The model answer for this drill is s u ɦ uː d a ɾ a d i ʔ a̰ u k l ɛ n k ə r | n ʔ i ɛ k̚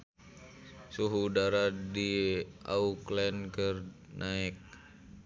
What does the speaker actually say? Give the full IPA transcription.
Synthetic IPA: s u ɦ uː d a ɾ a d i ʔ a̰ u k l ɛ n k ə r | n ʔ a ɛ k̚